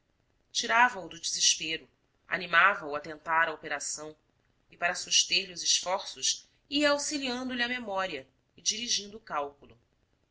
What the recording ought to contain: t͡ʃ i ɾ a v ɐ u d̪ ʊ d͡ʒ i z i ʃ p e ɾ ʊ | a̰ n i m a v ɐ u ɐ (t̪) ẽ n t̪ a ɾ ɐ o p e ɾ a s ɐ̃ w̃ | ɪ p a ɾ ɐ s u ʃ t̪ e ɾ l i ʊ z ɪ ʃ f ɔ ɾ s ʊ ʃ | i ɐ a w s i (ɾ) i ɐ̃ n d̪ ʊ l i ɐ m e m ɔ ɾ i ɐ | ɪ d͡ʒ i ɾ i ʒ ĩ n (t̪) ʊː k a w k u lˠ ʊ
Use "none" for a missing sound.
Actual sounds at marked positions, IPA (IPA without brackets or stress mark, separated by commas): t̪, l, d̪